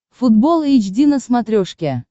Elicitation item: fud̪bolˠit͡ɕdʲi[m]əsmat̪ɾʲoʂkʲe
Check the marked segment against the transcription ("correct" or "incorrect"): incorrect